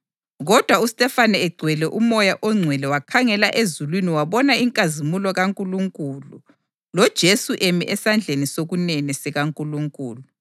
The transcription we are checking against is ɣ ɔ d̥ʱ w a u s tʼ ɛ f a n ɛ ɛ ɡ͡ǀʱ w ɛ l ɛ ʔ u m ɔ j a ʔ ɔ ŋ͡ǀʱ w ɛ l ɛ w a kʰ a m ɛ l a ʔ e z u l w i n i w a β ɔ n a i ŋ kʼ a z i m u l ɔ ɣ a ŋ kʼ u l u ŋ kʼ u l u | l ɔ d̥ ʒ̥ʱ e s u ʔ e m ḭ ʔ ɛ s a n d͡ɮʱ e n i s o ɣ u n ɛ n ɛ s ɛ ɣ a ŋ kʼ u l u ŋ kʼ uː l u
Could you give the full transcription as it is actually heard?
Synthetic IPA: ɣ ɔ d̥ʱ w a u s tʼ ɛ f a n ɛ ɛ ɡ͡ǀʱ w ɛ l ɛ ʔ u m ɔ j a ʔ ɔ ŋ͡ǀʱ w ɛ l ɛ w a kʰ a ŋ ɛ l a ʔ e z u l w i n i w a β ɔ n a i ŋ kʼ a z i m u l ɔ ɣ a ŋ kʼ u l u ŋ kʼ u l u | l ɔ d̥ ʒ̥ʱ e s u ʔ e m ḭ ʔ ɛ s a n d͡ɮʱ e n i s o ɣ u n ɛ n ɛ s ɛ ɣ a ŋ kʼ u l u ŋ kʼ uː l u